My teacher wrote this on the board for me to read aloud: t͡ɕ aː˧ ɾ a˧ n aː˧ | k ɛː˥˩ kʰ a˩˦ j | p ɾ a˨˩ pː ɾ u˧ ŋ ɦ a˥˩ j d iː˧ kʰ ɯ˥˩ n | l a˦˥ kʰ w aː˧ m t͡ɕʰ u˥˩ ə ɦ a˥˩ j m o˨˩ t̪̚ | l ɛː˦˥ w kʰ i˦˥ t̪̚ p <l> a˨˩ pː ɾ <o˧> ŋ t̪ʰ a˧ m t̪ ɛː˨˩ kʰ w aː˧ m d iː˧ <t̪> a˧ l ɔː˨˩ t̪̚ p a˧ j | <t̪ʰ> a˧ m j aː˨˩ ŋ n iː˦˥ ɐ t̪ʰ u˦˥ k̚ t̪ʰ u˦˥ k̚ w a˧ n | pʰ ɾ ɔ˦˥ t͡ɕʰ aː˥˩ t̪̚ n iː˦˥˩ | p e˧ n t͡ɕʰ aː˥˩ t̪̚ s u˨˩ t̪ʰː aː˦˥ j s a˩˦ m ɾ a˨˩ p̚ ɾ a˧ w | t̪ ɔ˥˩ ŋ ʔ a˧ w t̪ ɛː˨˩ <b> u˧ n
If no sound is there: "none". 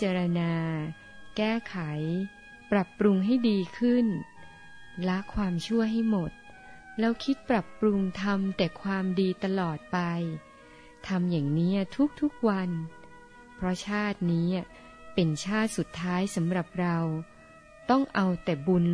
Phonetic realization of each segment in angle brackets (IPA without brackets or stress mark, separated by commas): ɾ, u˧, t̪, t̪ʰ, b